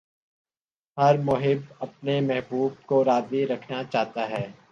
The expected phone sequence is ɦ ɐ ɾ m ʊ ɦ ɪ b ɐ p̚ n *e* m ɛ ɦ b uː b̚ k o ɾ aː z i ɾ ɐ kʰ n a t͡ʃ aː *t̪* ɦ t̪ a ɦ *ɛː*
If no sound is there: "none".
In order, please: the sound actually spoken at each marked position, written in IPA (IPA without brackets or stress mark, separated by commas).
e, none, ɛː